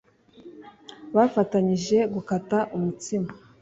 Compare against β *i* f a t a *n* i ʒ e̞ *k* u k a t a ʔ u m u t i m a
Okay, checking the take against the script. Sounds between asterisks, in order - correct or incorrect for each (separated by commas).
incorrect, incorrect, incorrect